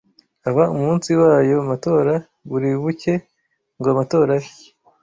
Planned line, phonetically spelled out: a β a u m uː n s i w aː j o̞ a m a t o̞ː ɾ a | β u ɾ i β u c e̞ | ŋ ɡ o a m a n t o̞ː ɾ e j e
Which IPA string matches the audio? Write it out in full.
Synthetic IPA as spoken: a β a u m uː n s i w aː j o̞ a m a t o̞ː ɾ a | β u ɾ i β u c e̞ | ŋ ɡ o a m a t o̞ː ɾ a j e